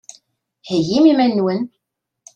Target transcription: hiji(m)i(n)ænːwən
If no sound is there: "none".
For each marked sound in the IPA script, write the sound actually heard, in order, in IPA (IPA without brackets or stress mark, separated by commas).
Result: m, m